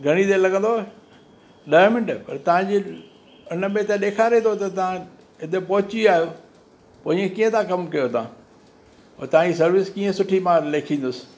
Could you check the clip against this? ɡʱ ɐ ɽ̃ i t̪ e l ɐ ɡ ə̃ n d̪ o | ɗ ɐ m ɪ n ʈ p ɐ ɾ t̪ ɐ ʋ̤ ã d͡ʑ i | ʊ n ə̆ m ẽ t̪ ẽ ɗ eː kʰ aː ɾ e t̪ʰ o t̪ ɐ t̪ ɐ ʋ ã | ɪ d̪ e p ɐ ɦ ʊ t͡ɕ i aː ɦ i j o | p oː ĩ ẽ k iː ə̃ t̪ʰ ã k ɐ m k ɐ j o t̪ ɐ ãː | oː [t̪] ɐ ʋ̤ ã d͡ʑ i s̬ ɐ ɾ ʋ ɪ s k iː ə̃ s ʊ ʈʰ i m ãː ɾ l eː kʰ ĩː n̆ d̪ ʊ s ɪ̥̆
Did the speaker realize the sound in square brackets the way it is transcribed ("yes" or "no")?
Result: yes